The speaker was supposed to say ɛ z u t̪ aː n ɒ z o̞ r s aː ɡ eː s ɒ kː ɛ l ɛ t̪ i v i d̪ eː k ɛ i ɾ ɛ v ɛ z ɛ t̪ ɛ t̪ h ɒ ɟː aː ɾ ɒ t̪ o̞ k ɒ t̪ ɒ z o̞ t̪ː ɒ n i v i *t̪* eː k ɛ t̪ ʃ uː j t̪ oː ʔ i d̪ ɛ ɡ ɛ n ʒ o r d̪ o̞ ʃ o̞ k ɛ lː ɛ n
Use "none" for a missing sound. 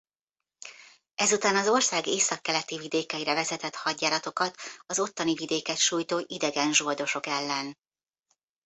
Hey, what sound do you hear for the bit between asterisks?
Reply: d̪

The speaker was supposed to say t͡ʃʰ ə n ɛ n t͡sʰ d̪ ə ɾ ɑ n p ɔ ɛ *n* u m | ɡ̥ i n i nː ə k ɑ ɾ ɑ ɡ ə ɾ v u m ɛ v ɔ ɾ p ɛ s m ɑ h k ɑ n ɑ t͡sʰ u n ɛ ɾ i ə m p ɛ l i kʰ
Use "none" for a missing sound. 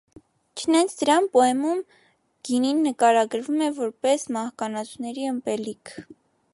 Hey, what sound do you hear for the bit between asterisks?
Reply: m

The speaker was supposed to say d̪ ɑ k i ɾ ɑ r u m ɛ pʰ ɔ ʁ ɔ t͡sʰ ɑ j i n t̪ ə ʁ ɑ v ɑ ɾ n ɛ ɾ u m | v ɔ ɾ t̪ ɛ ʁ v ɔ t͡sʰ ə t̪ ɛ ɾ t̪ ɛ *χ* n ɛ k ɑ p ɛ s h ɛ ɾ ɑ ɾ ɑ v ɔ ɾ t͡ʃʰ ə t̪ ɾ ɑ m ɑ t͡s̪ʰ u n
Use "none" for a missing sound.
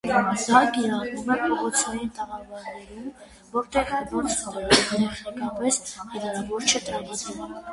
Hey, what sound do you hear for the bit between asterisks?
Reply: χ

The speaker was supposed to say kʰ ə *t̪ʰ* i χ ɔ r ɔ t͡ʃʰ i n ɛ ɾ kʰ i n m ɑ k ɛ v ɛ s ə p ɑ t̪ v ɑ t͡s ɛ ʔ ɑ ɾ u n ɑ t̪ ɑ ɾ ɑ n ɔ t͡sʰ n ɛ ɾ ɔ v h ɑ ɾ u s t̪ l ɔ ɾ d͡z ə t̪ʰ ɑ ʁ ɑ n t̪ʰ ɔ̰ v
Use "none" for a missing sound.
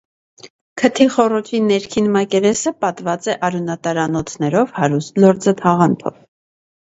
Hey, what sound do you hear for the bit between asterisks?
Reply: t̪ʰ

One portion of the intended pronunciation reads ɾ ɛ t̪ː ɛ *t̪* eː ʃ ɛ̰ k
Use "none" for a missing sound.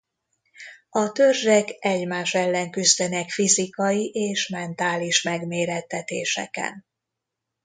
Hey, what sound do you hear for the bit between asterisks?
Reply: t̪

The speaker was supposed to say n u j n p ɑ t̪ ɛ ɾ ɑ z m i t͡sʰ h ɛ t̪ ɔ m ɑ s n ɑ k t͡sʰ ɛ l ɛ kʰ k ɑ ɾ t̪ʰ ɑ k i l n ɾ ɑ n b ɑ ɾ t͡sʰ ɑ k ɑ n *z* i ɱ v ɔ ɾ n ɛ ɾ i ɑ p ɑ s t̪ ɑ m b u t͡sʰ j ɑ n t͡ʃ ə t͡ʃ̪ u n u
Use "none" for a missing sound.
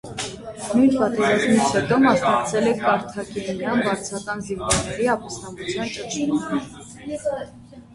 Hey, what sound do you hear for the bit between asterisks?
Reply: z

